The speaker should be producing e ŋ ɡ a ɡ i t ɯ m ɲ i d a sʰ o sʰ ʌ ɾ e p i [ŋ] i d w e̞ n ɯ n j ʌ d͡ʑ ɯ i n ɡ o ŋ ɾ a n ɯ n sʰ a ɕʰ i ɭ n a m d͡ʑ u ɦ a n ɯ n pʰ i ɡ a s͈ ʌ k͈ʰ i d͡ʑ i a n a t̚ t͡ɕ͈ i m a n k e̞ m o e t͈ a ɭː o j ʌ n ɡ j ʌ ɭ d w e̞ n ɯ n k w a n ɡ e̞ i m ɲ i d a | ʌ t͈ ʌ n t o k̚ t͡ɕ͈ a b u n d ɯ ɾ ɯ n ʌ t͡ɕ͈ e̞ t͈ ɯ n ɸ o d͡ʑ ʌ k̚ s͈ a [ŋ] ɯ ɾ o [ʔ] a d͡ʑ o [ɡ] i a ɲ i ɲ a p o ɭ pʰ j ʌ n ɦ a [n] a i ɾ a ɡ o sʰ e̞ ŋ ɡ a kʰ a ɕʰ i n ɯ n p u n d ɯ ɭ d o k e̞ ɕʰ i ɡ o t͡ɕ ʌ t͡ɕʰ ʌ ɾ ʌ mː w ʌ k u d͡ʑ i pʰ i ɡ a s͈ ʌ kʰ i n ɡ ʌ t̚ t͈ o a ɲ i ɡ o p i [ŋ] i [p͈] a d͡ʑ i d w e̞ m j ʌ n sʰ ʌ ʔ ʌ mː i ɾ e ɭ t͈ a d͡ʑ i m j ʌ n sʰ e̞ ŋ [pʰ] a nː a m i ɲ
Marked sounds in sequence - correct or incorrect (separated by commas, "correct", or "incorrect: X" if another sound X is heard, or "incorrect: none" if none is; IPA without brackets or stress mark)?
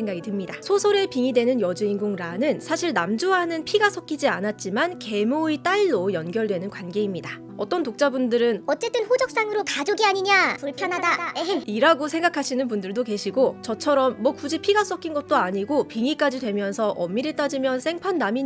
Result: correct, correct, incorrect: k, correct, incorrect: d, correct, incorrect: k͈, correct